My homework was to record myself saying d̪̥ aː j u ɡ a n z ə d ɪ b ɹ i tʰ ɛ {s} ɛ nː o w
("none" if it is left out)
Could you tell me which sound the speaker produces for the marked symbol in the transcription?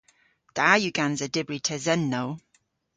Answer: z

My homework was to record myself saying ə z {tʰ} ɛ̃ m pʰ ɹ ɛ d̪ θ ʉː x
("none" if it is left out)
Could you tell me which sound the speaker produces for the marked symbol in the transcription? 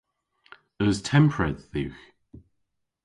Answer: tʰ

